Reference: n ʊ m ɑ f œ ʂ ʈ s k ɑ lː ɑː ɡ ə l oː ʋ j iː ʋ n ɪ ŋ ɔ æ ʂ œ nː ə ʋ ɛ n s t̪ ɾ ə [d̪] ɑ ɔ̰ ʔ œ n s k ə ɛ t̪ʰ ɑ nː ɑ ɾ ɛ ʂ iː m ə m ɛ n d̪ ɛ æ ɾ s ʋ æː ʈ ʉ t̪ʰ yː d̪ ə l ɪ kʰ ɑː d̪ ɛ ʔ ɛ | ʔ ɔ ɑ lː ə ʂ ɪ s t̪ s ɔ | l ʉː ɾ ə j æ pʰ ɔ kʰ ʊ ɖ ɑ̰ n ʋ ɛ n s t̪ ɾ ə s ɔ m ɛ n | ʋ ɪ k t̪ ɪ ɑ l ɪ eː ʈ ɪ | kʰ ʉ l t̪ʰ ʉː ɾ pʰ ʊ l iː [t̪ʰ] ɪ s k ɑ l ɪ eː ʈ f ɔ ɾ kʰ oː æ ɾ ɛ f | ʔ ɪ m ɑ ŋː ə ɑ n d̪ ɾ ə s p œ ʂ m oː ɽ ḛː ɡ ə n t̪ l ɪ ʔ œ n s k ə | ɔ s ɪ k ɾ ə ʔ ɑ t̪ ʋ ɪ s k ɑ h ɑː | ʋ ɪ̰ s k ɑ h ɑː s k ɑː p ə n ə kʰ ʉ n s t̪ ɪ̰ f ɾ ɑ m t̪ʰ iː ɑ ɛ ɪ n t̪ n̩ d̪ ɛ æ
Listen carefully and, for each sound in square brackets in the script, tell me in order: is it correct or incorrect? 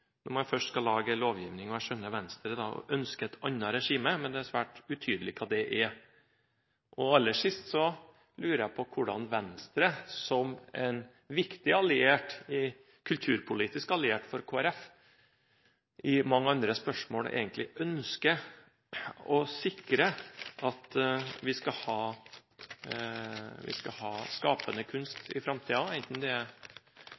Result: correct, incorrect

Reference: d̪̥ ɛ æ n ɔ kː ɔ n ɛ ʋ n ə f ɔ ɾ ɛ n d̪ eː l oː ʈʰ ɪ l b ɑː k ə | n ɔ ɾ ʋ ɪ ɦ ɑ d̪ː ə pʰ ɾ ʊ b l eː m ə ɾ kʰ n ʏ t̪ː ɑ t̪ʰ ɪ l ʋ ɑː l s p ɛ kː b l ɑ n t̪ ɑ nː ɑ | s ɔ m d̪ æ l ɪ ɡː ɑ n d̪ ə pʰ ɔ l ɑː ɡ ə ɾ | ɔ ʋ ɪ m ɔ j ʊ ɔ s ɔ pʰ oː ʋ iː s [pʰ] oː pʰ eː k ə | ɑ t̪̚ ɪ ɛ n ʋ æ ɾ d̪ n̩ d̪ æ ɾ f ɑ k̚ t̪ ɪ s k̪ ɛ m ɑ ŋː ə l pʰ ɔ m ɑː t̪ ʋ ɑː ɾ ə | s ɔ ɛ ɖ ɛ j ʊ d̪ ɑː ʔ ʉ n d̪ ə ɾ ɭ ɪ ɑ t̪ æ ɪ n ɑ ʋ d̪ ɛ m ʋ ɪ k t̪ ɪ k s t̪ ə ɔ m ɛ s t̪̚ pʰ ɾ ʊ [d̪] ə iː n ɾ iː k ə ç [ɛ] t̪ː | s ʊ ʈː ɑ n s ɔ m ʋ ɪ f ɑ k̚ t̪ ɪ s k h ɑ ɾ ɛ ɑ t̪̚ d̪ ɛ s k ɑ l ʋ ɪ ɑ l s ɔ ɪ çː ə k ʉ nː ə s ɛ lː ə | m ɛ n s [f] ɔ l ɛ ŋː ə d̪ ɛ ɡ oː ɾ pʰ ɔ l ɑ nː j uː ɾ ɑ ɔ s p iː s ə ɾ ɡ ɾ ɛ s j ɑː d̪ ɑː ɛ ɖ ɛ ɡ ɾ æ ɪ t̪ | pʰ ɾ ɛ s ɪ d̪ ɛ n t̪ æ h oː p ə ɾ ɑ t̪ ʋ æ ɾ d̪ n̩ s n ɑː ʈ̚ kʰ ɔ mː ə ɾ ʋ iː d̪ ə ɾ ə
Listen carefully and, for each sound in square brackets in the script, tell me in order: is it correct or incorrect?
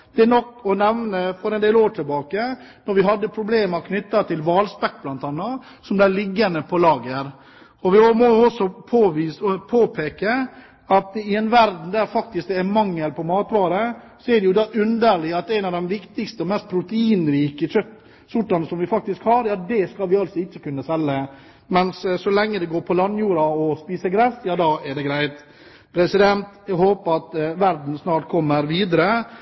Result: correct, incorrect, incorrect, incorrect

